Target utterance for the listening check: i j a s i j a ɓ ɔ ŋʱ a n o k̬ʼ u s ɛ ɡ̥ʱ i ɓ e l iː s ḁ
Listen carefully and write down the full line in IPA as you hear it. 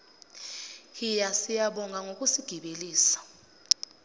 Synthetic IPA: i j a s i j a ɓ ɔ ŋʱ a ŋ o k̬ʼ u s i ɡ̥ʱ i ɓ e l iː s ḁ